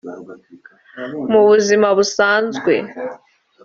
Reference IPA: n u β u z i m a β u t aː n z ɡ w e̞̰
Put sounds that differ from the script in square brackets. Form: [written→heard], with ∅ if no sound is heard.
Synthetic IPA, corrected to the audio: [n→m] u β u z i m a β u [t→s] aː n z ɡ w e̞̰